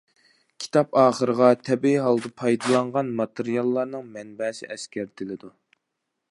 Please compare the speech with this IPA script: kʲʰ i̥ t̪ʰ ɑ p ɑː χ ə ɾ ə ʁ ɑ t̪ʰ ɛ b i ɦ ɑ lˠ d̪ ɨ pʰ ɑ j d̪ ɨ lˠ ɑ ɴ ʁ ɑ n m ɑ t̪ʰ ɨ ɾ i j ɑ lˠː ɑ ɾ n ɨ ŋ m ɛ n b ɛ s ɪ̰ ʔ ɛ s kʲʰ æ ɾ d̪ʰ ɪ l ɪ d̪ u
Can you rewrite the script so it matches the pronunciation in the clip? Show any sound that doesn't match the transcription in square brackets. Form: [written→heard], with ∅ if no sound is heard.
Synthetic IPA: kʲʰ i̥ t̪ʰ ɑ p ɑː χ ə ɾ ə ʁ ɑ t̪ʰ ɛ b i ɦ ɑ lˠ d̪ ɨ pʰ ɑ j d̪ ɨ lˠ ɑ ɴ ʁ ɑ n m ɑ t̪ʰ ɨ ɾ i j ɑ lˠː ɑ ɾ n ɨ ŋ m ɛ n b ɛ s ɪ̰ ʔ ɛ s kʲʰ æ ɾ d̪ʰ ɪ l ɪ d̪ u

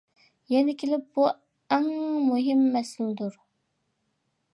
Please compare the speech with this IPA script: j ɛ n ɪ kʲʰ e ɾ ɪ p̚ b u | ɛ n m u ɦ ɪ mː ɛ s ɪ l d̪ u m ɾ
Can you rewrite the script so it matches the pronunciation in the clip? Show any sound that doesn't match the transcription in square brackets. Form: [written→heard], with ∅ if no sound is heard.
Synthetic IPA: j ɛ n ɪ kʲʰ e [ɾ→l] ɪ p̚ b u | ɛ [n→ŋ] m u ɦ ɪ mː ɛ s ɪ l d̪ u [m→∅] ɾ

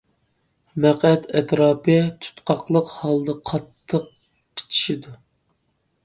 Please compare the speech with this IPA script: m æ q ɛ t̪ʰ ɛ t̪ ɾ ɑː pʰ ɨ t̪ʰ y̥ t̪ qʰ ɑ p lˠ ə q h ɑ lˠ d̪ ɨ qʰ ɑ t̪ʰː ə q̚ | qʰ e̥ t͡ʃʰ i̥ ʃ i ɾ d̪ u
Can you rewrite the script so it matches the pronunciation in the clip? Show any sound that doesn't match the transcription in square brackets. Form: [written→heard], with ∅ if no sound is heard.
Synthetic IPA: m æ q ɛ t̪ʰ ɛ t̪ ɾ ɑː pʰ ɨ t̪ʰ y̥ t̪ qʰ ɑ [p→q] lˠ ə q h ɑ lˠ d̪ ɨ qʰ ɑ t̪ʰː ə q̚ | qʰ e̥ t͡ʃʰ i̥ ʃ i [ɾ→∅] d̪ u

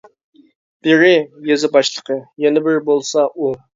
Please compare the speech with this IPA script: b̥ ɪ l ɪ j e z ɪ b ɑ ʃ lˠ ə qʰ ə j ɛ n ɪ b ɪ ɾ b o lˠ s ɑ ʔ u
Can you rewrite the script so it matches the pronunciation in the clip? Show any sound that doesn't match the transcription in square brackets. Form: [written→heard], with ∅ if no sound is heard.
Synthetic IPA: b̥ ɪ [l→ɾ] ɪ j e z ɪ b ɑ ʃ lˠ ə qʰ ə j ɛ n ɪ b ɪ ɾ b o lˠ s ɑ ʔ u

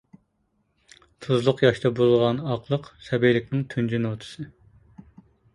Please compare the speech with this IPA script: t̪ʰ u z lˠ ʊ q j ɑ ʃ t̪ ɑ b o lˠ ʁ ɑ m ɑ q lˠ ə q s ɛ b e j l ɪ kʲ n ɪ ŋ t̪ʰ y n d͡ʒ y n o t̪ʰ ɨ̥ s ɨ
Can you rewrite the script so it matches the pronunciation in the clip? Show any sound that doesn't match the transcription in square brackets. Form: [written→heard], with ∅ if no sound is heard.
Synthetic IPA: t̪ʰ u z lˠ ʊ q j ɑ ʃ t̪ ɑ b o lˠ ʁ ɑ [m→n] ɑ q lˠ ə q s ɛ b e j l ɪ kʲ n ɪ ŋ t̪ʰ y n d͡ʒ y n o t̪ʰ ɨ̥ s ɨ

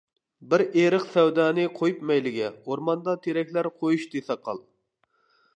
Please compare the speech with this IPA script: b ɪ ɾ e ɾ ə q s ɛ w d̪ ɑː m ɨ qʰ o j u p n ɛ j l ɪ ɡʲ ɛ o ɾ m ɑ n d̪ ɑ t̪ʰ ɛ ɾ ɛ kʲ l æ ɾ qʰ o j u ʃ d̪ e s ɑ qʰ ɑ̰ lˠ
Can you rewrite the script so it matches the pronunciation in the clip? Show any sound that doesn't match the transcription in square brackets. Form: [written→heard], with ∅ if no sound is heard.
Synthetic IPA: b ɪ ɾ e ɾ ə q s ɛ w d̪ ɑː [m→n] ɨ qʰ o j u p [n→m] ɛ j l ɪ ɡʲ ɛ o ɾ m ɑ n d̪ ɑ t̪ʰ [ɛ→e] ɾ ɛ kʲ l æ ɾ qʰ o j u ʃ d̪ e s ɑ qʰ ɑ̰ lˠ

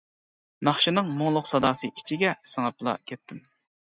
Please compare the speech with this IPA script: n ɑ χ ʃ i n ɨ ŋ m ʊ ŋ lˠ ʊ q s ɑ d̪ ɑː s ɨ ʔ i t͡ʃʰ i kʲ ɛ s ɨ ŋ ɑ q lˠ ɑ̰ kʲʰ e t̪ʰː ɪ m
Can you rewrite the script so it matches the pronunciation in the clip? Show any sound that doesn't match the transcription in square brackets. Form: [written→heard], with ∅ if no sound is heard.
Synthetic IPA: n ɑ χ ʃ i n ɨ ŋ m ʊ ŋ lˠ ʊ q s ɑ d̪ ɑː s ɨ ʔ i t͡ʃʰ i [kʲ→ɡʲ] ɛ s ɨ ŋ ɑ [q→p] lˠ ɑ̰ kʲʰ [e→ɛ] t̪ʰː ɪ m

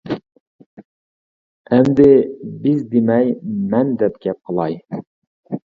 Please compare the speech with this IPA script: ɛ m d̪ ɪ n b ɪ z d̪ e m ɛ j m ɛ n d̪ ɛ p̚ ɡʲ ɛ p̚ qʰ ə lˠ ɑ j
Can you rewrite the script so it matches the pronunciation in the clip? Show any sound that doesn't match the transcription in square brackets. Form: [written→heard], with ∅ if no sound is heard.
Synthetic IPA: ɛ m d̪ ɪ [n→∅] b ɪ z d̪ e m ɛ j m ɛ n d̪ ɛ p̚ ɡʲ ɛ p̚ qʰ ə lˠ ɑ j

